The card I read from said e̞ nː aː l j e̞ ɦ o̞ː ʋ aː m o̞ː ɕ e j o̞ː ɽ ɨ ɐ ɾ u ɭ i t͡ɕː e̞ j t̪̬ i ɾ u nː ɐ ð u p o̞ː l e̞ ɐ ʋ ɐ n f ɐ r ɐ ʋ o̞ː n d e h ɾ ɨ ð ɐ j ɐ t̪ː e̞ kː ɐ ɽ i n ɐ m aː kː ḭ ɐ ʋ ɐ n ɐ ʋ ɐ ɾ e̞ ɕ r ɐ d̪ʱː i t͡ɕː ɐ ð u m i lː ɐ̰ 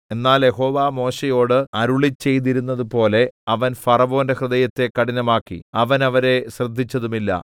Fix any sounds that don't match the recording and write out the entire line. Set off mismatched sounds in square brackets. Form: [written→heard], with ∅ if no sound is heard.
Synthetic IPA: e̞ nː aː l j e̞ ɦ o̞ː ʋ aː m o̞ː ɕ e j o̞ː ɽ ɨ ɐ ɾ u ɭ i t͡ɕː e̞ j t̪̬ i ɾ u nː ɐ ð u p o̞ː l e̞ ɐ ʋ ɐ n f ɐ r ɐ ʋ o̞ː n d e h [ɾ→r] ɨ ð ɐ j ɐ t̪ː e̞ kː ɐ ɽ i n ɐ m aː kː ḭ ɐ ʋ ɐ n ɐ ʋ ɐ ɾ e̞ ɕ r ɐ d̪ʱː i t͡ɕː ɐ ð u m i lː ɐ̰